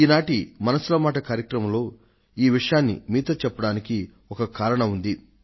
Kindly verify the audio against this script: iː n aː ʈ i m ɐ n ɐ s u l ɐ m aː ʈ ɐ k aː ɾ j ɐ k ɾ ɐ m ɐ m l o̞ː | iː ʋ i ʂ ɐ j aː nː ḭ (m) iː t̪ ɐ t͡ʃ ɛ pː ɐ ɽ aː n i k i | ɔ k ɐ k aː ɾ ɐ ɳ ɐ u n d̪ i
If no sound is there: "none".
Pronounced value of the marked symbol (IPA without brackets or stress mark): m